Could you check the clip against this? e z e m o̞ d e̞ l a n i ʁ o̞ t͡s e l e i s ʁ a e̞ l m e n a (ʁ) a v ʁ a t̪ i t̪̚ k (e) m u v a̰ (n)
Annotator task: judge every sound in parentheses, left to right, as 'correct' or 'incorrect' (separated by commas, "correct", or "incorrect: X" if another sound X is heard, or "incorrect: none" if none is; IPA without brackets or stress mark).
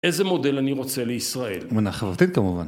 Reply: incorrect: χ, incorrect: a, correct